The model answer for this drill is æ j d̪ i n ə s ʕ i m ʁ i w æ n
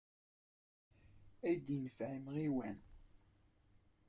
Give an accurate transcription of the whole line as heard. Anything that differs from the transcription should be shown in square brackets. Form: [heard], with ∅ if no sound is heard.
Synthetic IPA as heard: æ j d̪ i n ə [f] ʕ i m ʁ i w æ n